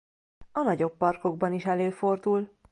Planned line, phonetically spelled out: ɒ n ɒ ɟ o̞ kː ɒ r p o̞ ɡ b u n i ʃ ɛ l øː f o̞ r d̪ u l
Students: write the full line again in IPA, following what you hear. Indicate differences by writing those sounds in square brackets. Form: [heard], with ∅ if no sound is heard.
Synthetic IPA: ɒ n ɒ ɟ o̞ [pː] ɒ r [k] o̞ ɡ b [ɒ] n i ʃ ɛ l øː f o̞ r d̪ u l